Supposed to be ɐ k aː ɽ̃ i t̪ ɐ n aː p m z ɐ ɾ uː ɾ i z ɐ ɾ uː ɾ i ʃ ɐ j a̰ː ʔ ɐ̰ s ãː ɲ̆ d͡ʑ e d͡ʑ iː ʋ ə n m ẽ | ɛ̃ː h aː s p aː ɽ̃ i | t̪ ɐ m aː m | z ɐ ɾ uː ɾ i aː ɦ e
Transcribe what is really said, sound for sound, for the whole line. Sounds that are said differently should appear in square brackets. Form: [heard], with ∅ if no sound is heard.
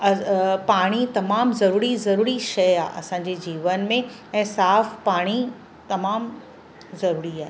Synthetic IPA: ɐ [p] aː ɽ̃ i t̪ ɐ [m] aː [∅] m z ɐ ɾ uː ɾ i z ɐ ɾ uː ɾ i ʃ ɐ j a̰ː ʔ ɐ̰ s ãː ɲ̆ d͡ʑ e d͡ʑ iː ʋ ə n m ẽ | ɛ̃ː [s] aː [f] p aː ɽ̃ i | t̪ ɐ m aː m | z ɐ ɾ uː ɾ i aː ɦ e